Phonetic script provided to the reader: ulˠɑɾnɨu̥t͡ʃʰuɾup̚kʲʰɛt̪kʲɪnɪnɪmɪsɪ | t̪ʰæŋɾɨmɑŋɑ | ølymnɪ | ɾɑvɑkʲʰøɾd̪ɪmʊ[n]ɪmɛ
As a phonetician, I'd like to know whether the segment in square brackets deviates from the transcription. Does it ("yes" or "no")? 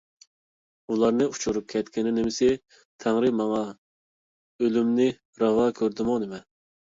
no